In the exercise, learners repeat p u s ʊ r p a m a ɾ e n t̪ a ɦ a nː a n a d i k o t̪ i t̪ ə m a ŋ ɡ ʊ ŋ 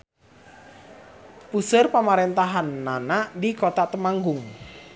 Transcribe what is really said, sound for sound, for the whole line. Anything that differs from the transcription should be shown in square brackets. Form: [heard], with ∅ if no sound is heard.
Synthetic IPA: p u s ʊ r p a m a ɾ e n t̪ a ɦ a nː a n a d i k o t̪ [a] t̪ ə m a ŋ ɡ ʊ ŋ